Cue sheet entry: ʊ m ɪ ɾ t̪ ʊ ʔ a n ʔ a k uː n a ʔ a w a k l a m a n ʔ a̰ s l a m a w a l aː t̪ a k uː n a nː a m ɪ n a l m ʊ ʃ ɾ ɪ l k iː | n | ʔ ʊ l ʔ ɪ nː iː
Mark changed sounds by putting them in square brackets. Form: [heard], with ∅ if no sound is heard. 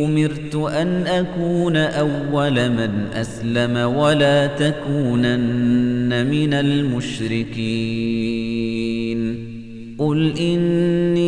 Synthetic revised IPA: ʊ m ɪ ɾ t̪ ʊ ʔ a n ʔ a k uː n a ʔ a [wː] a [∅] l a m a n ʔ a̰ s l a m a w a l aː t̪ a k uː n a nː a m ɪ n a l m ʊ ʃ ɾ ɪ [∅] k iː | n | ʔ ʊ l ʔ ɪ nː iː